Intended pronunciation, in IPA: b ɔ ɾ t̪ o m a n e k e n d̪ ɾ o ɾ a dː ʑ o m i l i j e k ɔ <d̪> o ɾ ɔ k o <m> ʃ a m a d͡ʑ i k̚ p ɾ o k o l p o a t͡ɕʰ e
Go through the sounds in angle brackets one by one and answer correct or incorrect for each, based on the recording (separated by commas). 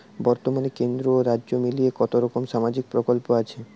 incorrect, correct